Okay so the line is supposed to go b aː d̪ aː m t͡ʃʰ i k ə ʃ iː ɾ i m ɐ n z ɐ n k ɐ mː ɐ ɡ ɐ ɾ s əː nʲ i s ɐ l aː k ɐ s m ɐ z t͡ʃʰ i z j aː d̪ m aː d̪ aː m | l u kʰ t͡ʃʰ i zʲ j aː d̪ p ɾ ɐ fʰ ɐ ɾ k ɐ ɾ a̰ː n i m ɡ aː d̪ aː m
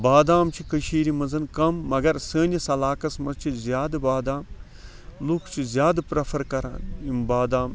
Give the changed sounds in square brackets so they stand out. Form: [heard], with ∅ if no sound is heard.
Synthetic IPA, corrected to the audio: b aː d̪ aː m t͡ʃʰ i k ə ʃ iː ɾ i m ɐ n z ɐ n k ɐ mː ɐ ɡ ɐ ɾ s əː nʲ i s ɐ l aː k ɐ s m ɐ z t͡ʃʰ i z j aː d̪ [b] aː d̪ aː m | l u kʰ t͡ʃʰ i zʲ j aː d̪ p ɾ ɐ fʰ ɐ ɾ k ɐ ɾ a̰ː n i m [b] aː d̪ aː m